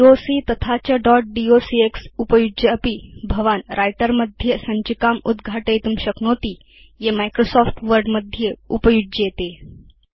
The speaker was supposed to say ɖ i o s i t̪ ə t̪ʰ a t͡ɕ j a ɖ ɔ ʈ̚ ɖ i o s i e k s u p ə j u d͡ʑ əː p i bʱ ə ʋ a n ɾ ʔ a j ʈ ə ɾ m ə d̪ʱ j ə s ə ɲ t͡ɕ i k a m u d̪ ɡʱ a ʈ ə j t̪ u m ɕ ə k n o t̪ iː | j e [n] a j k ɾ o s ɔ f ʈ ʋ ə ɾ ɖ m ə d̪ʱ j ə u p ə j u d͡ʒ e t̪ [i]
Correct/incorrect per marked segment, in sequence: incorrect: m, incorrect: e

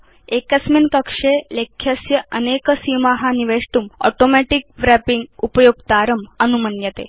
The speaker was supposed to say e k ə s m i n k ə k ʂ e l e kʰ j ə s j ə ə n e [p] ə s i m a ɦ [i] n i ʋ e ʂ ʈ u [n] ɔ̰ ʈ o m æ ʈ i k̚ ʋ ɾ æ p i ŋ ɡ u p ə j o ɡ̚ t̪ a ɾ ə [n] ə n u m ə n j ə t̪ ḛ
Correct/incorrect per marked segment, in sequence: incorrect: k, incorrect: a, incorrect: m, incorrect: m

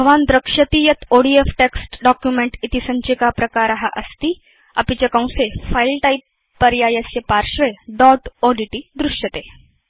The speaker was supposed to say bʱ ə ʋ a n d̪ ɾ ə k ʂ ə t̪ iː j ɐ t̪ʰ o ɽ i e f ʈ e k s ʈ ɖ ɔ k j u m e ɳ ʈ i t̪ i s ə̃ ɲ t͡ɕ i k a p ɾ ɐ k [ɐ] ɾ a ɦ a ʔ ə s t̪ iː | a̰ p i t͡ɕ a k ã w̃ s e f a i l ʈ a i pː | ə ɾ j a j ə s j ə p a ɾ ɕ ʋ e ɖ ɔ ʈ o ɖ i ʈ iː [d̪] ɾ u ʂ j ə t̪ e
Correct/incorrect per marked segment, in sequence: incorrect: a, correct

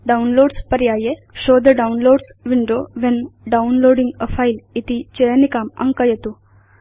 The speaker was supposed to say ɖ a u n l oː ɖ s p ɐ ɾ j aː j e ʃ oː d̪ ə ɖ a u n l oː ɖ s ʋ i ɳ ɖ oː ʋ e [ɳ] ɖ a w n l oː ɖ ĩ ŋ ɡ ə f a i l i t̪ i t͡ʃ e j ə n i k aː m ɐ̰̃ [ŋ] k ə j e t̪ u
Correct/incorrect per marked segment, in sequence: incorrect: n, correct

